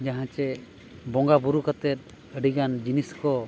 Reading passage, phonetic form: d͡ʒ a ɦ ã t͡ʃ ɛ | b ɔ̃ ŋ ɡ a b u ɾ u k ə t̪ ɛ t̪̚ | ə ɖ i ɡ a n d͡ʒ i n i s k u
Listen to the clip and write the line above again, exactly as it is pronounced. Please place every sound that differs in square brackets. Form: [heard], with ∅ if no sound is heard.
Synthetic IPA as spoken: d͡ʒ a ɦ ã t͡ʃ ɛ | b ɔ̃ ŋ ɡ a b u ɾ u k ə t̪ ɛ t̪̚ | ə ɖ i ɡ a n d͡ʒ i n i s k [ɔ]